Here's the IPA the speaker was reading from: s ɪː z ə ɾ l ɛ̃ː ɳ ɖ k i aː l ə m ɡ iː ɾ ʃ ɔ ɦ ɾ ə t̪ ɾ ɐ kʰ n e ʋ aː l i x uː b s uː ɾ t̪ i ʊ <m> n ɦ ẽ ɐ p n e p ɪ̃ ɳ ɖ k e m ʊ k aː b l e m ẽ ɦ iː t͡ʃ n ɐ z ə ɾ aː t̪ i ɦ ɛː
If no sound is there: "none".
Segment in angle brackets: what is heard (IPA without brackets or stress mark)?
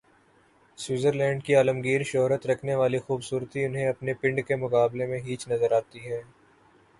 none